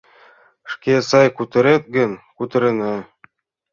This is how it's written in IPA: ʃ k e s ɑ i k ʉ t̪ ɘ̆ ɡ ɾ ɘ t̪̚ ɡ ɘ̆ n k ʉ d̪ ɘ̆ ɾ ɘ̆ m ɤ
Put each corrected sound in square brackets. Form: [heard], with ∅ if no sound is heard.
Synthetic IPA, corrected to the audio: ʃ k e s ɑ [j] k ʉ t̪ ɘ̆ [∅] ɾ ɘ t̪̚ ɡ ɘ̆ n k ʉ [t̪] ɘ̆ ɾ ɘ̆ [n] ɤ